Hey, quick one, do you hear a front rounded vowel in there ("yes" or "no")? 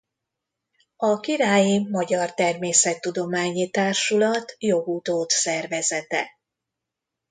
no